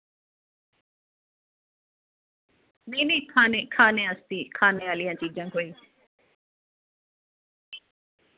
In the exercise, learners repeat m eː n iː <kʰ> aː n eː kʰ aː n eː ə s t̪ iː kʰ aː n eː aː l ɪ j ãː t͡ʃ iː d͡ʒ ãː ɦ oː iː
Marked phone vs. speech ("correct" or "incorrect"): correct